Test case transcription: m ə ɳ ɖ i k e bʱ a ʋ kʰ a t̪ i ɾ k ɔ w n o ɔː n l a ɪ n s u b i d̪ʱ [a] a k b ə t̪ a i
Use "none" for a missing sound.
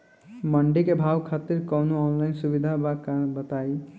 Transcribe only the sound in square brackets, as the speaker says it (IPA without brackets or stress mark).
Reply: a